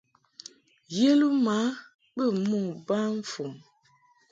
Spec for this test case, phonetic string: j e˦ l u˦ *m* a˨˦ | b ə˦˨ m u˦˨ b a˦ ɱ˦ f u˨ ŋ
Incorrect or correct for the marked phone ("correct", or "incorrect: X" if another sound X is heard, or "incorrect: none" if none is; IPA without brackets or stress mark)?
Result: correct